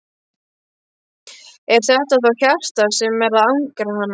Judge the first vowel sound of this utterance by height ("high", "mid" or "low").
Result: mid